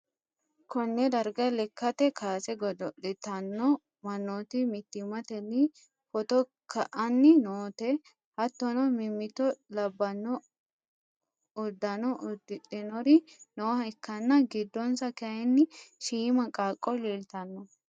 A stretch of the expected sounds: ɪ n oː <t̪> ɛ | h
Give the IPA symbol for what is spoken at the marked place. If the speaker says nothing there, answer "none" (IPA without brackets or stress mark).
t̪